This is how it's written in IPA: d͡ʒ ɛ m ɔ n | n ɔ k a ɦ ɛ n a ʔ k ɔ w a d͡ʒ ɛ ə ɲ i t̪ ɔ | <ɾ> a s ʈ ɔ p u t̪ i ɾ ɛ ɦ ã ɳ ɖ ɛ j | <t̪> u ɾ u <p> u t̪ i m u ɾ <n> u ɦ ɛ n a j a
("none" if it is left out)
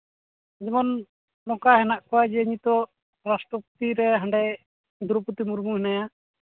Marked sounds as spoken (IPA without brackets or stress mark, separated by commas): ɾ, d̪, p, m